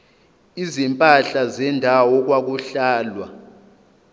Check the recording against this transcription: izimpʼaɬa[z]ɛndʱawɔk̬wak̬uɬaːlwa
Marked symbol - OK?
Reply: yes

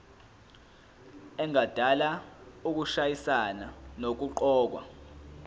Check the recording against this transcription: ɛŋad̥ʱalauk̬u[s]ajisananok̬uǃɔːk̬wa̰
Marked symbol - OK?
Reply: no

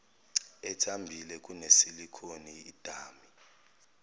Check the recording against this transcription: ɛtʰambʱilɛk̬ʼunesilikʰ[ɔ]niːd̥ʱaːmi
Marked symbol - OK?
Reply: no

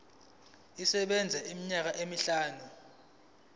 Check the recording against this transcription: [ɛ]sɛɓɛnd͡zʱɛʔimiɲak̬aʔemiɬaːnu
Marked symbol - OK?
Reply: no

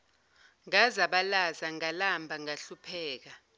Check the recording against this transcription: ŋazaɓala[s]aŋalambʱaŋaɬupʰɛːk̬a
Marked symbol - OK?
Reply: no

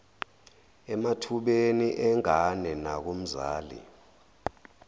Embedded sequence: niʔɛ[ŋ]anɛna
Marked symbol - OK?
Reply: yes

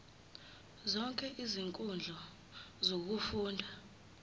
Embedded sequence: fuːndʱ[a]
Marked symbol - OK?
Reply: yes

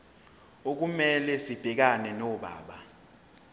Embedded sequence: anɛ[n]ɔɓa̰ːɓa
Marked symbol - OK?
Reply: yes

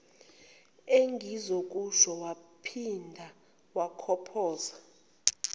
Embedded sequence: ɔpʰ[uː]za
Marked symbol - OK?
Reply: no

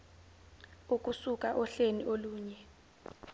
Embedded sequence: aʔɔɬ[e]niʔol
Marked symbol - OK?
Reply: yes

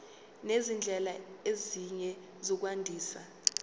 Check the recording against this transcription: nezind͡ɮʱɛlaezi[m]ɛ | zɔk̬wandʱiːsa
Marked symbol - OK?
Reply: no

